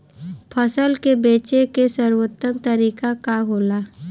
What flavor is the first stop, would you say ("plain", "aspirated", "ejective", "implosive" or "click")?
aspirated